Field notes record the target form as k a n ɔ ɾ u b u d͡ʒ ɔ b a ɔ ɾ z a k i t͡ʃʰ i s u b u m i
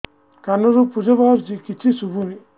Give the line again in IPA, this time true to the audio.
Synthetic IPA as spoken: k a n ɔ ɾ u p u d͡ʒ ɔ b a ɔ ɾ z i k i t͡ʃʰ i s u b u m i